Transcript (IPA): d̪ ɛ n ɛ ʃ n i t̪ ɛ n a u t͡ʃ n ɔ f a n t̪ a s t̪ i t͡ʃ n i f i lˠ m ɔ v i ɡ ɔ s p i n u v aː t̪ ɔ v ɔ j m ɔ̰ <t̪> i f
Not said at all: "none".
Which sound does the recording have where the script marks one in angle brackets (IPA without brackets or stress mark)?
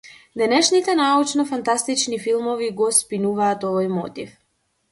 t̪